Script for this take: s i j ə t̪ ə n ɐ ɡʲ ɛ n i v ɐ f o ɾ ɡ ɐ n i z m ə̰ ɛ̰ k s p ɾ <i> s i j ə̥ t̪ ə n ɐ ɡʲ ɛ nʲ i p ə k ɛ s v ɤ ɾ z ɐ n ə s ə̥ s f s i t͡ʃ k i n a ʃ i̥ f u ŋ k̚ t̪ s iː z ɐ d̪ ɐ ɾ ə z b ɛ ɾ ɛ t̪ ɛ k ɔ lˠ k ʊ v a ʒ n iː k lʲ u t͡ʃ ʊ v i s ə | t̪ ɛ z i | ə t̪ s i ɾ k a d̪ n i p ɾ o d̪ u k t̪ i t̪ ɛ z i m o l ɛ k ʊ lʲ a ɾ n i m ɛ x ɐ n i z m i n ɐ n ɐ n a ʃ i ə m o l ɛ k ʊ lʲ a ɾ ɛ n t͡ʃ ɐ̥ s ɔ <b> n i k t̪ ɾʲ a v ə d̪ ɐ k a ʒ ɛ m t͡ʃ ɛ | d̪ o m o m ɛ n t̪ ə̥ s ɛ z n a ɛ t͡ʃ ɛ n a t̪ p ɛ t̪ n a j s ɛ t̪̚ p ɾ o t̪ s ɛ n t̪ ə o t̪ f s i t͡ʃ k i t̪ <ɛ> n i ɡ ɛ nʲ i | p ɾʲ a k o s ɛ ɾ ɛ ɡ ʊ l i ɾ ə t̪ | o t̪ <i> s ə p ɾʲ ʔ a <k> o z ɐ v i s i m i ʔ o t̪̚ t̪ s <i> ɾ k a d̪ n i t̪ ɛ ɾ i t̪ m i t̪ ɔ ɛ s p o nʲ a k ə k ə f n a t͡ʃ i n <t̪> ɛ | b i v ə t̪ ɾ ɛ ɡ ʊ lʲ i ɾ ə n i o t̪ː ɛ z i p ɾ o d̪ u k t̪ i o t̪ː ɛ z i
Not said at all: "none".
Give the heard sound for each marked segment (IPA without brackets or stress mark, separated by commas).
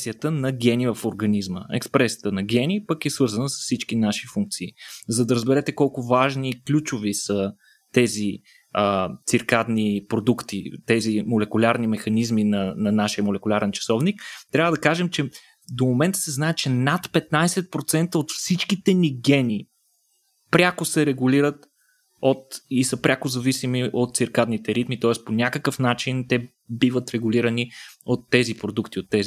ɛ, v, ɛ, i, k, i, t̪